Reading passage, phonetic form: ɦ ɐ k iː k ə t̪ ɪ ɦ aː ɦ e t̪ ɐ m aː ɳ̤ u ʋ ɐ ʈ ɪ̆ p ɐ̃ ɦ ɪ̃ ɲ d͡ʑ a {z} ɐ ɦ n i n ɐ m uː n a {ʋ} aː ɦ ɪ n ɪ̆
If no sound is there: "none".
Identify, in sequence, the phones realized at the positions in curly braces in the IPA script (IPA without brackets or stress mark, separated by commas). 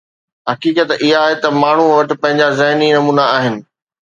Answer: z, none